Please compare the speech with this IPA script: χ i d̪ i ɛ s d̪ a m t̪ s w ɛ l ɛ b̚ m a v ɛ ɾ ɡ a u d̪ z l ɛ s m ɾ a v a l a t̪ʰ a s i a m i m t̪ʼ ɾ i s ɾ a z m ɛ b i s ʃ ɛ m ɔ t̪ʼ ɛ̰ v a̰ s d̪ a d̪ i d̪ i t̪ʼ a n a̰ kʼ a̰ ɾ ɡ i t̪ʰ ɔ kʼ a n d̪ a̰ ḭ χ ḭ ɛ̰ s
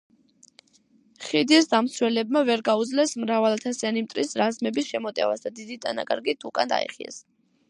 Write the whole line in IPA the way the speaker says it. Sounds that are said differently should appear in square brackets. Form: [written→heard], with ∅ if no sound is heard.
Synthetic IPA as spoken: χ i d̪ i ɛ s d̪ a m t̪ s w ɛ l ɛ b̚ m a v ɛ ɾ ɡ a u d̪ z l ɛ s m ɾ a v a l a t̪ʰ a s i a [m→n] i m t̪ʼ ɾ i s ɾ a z m ɛ b i s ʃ ɛ m ɔ t̪ʼ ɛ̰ v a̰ s d̪ a d̪ i d̪ i t̪ʼ a n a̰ kʼ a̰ ɾ ɡ i t̪ʰ [ɔ→u] kʼ a n d̪ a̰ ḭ χ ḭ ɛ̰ s